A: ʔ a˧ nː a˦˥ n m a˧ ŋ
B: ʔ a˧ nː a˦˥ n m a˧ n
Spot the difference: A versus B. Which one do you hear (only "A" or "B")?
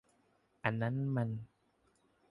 B